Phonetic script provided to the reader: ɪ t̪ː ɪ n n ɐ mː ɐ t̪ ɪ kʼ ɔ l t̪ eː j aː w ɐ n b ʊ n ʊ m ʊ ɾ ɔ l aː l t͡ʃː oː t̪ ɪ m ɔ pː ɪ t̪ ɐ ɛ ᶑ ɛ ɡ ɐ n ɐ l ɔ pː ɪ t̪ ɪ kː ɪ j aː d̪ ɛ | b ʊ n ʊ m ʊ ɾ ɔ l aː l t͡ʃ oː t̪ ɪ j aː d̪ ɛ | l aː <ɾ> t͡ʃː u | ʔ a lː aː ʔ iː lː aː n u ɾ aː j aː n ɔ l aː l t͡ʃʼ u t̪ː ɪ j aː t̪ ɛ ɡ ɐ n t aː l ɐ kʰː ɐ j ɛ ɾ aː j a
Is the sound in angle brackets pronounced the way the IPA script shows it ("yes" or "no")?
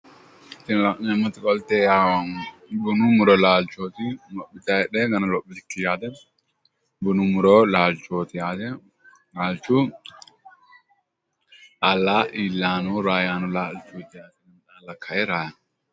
no